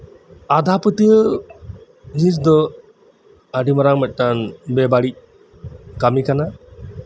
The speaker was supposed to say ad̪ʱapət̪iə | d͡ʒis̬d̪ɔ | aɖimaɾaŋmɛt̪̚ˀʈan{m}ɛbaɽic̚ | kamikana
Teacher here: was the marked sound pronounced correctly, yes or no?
no